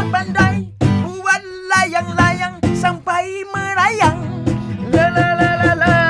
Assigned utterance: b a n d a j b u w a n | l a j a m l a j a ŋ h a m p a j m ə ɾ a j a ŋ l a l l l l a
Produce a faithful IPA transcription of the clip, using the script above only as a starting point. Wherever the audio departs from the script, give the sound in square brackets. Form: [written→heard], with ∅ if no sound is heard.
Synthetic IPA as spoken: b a n d a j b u w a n | l a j a [m→ŋ] l a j a ŋ [h→s] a m p a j m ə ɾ a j a ŋ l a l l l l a